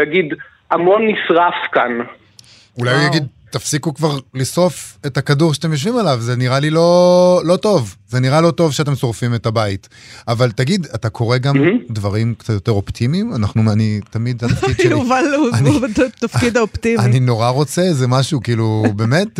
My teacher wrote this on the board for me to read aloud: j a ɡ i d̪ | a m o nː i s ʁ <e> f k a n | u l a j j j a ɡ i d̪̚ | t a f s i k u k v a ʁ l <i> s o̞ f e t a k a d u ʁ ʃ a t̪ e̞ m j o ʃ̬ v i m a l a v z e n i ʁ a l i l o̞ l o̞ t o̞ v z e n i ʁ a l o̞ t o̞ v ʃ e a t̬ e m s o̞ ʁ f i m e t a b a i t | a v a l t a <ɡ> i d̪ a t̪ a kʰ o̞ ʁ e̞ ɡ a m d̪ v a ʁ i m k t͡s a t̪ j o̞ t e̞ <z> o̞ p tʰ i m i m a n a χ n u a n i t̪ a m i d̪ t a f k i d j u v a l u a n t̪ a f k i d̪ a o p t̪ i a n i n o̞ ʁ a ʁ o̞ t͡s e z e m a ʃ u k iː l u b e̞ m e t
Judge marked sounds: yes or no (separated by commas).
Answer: no, yes, yes, no